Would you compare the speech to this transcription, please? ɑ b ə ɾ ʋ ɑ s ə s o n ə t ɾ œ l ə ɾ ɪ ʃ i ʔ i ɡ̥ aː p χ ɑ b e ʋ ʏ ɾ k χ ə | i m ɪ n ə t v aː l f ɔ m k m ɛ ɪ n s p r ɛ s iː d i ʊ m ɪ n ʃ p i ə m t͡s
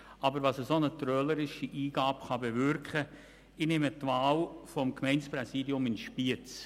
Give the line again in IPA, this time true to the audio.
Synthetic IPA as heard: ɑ b ə ɾ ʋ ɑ s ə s o n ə t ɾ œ l ə ɾ ɪ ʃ i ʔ iː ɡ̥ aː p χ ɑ b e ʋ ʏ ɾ k χ ə | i n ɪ m ə t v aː l f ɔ m k m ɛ ɪ n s p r ɛ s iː d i ʊ m ɪ n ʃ p i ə t͡s